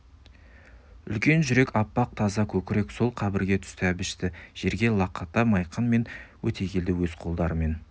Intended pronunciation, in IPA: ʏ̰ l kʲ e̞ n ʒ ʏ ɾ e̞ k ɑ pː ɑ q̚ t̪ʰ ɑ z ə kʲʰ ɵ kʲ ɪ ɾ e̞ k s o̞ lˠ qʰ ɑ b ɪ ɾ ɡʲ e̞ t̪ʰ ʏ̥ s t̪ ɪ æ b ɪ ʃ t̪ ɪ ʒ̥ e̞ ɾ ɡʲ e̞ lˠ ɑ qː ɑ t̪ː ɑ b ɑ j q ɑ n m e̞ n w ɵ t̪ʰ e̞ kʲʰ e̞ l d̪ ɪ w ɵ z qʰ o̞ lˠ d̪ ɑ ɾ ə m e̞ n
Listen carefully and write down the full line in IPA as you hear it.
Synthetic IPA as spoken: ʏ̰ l kʲ e̞ n ʒ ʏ ɾ e̞ k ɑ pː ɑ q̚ t̪ʰ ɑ z ɑ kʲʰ ɵ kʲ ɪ ɾ e̞ k s o̞ lˠ qʰ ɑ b ɪ ɾ ɡʲ e̞ t̪ʰ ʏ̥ s t̪ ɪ æ b ɪ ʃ t̪ ɪ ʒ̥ e̞ ɾ ɡʲ e̞ lˠ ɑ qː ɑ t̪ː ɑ m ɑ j q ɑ n m e̞ n w ɵ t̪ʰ e̞ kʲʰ e̞ l d̪ ɪ w ɵ z qʰ o̞ lˠ d̪ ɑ ɾ ə m e̞ n